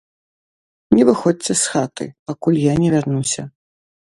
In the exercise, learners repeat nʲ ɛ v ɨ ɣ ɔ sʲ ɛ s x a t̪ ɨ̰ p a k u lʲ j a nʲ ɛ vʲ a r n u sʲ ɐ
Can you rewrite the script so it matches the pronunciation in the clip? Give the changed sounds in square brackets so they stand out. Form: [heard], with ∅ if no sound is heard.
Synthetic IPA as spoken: nʲ ɛ v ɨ [x] ɔ [t͡sʲ] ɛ s x a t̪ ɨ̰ p a k u lʲ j a nʲ ɛ vʲ a r n u sʲ ɐ